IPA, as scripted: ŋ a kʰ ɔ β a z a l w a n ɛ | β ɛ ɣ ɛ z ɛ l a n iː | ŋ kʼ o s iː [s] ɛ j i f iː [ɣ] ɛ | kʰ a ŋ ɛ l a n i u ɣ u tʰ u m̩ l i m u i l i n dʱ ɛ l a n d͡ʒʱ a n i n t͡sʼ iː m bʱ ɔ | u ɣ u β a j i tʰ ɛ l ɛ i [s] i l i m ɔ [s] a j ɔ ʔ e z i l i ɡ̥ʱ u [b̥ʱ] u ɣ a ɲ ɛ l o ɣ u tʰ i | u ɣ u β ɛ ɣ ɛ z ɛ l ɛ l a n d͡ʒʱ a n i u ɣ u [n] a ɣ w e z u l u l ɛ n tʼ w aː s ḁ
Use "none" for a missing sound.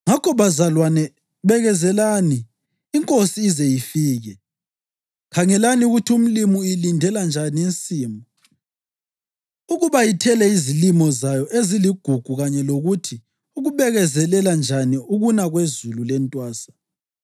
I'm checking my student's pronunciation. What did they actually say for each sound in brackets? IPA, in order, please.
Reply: z, ɣ, z, z, ɡ̥ʱ, n

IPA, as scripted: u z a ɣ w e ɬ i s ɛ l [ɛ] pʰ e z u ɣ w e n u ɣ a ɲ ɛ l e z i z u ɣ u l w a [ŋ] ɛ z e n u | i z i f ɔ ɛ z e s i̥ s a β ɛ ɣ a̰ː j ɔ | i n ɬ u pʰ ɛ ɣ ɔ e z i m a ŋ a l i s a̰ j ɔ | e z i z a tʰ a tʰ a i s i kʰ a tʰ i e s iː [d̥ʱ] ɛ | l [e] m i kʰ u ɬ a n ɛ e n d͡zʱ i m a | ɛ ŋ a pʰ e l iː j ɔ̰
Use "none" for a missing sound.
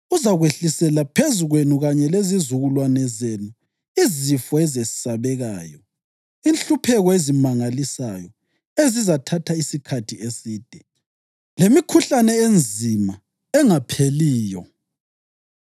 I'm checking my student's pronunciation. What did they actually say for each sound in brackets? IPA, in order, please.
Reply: a, n, d̥ʱ, e

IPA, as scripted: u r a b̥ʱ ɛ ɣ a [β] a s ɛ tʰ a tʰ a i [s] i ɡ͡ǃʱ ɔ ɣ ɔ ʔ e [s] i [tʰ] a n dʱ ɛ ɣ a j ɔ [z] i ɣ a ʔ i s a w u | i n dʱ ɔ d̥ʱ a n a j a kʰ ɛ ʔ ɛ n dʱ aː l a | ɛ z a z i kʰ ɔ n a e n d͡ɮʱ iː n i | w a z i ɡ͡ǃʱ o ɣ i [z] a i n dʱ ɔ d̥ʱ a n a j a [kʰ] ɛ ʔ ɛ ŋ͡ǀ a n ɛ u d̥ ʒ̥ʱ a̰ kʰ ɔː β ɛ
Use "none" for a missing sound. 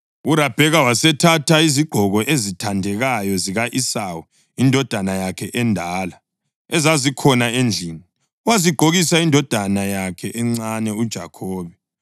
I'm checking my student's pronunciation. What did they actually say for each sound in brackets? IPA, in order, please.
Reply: w, z, z, tʰ, z, s, kʰ

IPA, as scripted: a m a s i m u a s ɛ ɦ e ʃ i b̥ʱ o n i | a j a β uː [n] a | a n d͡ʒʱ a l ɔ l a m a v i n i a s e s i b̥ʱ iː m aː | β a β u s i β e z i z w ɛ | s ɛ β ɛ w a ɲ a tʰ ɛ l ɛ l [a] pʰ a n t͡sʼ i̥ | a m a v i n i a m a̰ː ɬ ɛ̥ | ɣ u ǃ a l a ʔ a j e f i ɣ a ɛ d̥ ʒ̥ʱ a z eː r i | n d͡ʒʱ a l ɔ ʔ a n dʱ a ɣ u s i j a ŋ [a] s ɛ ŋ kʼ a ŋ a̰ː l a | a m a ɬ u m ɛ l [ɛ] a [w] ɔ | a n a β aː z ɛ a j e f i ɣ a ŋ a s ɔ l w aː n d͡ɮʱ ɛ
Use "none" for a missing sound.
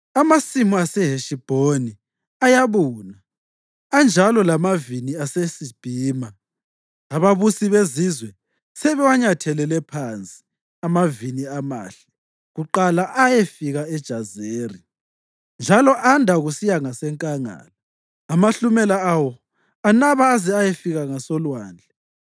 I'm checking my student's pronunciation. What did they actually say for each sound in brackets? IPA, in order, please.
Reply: n, ɛ, a, a, w

